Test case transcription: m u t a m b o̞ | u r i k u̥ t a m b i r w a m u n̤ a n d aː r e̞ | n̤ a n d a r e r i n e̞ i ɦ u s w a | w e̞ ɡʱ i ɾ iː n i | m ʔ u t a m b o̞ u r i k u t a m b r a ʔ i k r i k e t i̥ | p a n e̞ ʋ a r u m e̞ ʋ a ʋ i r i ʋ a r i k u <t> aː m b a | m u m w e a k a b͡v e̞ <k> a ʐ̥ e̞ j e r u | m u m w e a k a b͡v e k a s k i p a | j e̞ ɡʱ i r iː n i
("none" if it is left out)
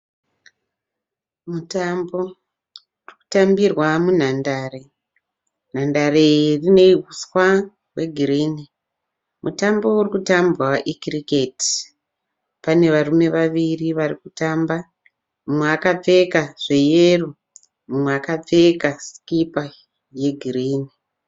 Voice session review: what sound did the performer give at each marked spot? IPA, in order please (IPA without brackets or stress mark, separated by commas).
t, k